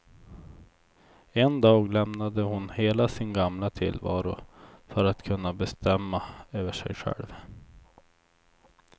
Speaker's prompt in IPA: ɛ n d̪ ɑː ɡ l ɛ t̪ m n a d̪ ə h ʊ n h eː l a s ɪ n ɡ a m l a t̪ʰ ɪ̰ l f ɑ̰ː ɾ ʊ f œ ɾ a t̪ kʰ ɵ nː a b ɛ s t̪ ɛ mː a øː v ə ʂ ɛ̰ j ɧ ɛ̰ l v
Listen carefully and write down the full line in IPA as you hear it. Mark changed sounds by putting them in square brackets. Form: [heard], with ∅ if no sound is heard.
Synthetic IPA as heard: ɛ n d̪ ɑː ɡ l ɛ [∅] m n a d̪ ə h ʊ n h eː l a s ɪ n ɡ a m l a t̪ʰ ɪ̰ l [v] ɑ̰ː ɾ ʊ f œ ɾ a t̪ kʰ ɵ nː a b ɛ s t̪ ɛ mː a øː v ə ʂ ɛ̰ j ɧ ɛ̰ l v